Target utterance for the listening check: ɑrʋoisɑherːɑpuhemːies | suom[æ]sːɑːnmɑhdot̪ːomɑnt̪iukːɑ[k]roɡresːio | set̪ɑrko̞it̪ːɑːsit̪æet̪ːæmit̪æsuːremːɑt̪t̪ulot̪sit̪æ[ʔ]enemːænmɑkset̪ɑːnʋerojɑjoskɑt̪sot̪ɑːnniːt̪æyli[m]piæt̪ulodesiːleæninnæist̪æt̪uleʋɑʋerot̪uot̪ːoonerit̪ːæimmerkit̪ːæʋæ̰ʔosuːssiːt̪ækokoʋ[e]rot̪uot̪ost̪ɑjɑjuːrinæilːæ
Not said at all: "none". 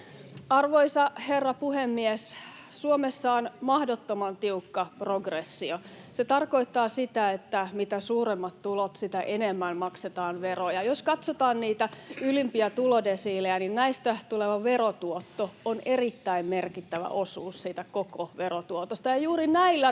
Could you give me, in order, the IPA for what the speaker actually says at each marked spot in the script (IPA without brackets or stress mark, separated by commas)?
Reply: e, p, ʔ, m, e